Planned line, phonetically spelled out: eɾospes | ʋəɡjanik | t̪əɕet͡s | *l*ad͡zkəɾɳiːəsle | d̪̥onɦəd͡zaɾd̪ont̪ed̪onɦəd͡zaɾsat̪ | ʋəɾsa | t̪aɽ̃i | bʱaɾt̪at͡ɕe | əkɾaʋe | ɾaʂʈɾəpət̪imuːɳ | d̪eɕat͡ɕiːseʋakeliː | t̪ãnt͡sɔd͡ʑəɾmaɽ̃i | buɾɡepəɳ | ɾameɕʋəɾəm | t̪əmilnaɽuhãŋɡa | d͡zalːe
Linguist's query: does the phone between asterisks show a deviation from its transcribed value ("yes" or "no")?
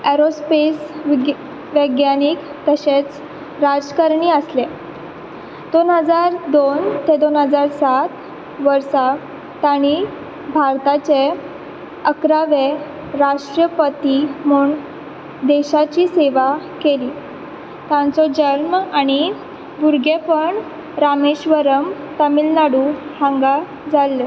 yes